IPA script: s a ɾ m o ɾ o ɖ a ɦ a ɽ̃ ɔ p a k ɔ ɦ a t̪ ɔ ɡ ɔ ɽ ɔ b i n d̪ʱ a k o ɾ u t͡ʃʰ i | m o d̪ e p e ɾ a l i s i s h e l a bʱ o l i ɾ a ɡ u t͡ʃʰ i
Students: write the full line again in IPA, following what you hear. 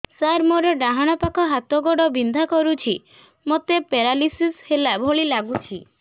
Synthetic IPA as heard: s a ɾ m o ɾ ɔ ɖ a ɦ a ɽ̃ ɔ p a k ɔ ɦ a t̪ ɔ ɡ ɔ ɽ ɔ b i n d̪ʱ a k ɔ ɾ u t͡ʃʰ i | m o t̪ e p e ɾ a l i s i s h e l a bʱ o ɭ i l a ɡ u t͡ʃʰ i